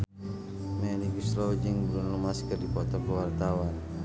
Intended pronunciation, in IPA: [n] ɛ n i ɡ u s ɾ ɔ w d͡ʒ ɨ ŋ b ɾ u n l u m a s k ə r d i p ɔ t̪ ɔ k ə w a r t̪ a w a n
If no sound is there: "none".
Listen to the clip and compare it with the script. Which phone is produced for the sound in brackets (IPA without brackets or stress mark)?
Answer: m